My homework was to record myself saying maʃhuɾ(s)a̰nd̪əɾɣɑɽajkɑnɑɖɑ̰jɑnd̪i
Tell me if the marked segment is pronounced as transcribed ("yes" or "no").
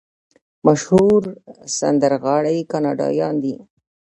yes